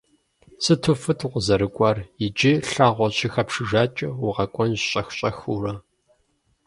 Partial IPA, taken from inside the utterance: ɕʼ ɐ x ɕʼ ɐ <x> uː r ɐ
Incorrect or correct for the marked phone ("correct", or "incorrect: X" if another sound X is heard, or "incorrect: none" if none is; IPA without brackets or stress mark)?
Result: correct